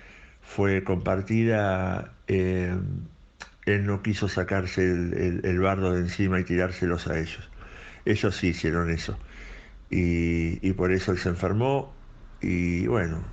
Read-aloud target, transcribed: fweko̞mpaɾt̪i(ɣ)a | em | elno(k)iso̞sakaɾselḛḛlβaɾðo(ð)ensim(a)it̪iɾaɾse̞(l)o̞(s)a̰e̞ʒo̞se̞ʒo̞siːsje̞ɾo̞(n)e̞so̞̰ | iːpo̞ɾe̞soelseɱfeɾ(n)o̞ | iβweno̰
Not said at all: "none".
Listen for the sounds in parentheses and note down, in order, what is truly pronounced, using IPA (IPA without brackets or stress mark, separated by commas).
ð, k, ð, a, l, s, n, m